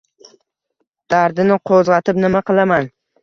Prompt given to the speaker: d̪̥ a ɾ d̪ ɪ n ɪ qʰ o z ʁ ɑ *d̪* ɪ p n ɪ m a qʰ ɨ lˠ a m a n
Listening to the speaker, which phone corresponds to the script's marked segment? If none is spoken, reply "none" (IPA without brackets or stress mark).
t̪